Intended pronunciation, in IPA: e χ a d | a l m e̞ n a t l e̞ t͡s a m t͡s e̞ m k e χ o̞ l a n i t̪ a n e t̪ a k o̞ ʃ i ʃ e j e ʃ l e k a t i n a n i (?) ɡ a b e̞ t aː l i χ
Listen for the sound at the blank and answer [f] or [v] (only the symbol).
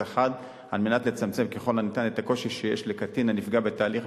f